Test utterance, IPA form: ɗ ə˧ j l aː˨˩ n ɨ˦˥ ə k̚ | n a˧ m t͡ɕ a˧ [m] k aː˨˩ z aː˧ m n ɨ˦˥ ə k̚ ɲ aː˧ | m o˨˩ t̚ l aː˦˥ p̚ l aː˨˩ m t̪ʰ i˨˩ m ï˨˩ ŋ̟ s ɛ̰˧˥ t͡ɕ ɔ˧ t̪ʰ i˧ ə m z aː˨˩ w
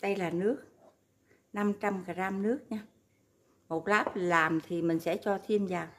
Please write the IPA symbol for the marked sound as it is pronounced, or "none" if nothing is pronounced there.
m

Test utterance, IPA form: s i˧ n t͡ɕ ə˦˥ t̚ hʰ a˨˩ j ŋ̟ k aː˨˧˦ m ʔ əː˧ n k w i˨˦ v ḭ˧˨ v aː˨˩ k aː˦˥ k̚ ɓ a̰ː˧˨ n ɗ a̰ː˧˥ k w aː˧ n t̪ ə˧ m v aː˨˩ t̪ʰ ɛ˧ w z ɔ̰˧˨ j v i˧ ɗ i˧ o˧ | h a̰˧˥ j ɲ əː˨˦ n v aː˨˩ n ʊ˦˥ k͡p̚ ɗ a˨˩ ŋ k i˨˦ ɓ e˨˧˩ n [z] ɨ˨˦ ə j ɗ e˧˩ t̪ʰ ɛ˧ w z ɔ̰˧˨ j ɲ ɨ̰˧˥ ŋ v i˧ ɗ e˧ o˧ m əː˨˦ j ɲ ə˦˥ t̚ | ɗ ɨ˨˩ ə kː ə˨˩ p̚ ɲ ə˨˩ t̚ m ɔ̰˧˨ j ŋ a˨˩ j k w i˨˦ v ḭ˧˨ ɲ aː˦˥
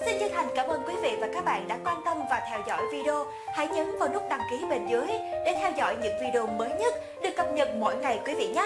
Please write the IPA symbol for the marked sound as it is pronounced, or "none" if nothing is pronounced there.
z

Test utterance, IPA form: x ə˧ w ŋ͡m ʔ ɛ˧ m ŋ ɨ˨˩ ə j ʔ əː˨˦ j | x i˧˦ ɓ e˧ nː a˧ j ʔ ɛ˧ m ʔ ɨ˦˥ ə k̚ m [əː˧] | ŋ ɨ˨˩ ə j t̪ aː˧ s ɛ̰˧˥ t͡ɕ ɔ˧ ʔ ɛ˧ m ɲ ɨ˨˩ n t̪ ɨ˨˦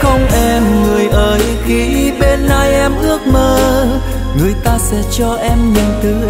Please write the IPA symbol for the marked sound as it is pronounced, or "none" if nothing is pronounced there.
əː˧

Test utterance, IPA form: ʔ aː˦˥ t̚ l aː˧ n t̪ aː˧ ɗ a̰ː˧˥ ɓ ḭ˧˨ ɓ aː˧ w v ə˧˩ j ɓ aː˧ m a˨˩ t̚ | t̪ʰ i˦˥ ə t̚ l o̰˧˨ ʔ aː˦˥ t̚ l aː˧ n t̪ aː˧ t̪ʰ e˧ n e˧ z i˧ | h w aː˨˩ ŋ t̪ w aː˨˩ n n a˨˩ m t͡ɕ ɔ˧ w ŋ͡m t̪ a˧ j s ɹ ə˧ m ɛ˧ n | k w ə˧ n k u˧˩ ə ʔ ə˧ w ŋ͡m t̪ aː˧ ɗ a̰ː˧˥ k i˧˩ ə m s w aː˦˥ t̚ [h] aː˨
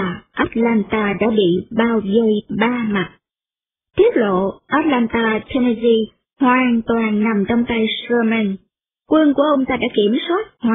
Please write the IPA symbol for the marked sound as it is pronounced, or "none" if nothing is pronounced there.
h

